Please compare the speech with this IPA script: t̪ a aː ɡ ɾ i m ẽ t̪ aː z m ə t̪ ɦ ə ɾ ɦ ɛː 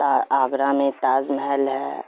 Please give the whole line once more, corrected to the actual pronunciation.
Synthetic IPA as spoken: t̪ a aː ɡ ɾ a m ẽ t̪ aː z m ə ɦ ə l ɦ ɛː